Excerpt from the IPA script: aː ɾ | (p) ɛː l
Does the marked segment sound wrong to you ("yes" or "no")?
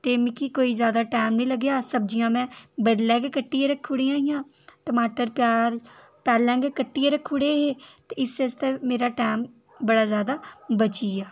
no